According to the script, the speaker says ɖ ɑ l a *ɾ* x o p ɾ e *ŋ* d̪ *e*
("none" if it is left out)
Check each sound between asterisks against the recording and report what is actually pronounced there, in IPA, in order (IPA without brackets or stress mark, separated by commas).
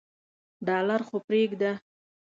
ɾ, ɡ, a